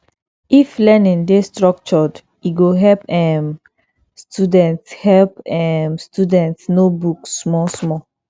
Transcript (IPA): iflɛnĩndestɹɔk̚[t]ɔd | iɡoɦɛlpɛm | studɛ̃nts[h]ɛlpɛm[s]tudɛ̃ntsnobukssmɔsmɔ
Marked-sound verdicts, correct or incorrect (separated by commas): incorrect, correct, correct